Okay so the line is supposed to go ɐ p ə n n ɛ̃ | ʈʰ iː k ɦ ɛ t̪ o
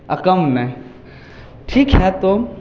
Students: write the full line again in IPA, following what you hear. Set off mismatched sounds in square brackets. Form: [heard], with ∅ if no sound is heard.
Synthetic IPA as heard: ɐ [k] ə [m] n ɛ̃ | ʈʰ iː k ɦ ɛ t̪ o